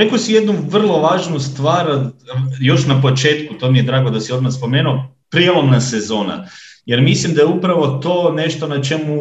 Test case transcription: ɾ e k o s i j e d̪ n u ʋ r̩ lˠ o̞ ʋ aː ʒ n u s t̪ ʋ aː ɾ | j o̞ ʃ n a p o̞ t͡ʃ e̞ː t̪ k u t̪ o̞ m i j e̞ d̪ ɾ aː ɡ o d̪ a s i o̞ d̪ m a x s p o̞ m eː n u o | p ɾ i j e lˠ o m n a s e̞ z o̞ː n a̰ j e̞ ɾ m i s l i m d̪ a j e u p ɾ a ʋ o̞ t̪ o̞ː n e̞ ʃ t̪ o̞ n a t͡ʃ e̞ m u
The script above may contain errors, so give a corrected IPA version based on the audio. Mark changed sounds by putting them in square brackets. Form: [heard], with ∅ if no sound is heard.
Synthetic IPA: ɾ e k o s i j e d̪ n u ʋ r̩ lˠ o̞ ʋ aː ʒ n u s t̪ ʋ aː ɾ | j o̞ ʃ n a p o̞ t͡ʃ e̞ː t̪ k u t̪ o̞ m i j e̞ d̪ ɾ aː ɡ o d̪ a s i o̞ d̪ m a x s p o̞ m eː n u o | p ɾ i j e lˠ o m n a s e̞ z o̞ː n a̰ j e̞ ɾ m i s l i m d̪ a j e u p ɾ a ʋ o̞ t̪ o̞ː n e̞ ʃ t̪ o̞ n a t͡ʃ e̞ m u